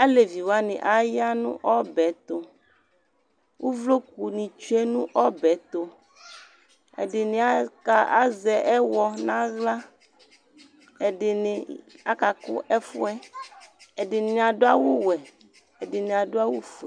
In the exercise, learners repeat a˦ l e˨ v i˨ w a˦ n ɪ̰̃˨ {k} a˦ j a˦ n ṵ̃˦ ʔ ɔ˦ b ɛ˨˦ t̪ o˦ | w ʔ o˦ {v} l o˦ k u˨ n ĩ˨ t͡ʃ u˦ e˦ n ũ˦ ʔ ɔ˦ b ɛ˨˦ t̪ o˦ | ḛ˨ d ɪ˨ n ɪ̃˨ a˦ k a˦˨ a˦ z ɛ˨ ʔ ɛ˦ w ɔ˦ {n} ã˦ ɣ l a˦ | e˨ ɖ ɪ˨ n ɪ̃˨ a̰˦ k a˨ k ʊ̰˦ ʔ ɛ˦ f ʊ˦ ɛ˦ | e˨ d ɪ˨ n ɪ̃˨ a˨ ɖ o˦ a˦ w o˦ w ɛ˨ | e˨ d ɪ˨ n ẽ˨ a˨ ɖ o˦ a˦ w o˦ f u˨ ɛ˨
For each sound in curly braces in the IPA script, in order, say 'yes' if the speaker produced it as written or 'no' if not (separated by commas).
no, yes, yes